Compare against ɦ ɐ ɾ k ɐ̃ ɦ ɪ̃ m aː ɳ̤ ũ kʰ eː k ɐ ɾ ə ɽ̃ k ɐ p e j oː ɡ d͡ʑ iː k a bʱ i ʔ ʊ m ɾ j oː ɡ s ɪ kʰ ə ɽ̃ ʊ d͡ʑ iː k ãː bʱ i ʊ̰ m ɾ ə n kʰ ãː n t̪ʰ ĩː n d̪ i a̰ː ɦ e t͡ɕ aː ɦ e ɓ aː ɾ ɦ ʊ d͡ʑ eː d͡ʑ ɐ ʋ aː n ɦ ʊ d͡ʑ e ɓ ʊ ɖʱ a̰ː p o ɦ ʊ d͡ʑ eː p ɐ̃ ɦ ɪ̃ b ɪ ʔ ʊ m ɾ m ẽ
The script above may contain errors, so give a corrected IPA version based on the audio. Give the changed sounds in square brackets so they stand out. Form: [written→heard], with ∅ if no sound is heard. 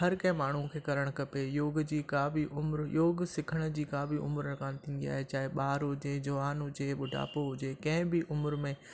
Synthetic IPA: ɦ ɐ ɾ k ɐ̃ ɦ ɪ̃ m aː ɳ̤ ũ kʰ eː k ɐ ɾ ə ɽ̃ k ɐ p e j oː ɡ d͡ʑ iː k a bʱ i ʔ ʊ m ɾ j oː ɡ s ɪ kʰ ə ɽ̃ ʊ d͡ʑ iː k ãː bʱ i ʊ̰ m ɾ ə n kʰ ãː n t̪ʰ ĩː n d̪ i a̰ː ɦ e t͡ɕ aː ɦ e ɓ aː ɾ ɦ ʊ d͡ʑ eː d͡ʑ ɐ ʋ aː n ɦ ʊ d͡ʑ e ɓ ʊ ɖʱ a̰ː p o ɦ ʊ d͡ʑ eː [p→k] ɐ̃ ɦ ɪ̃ b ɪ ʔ ʊ m ɾ m ẽ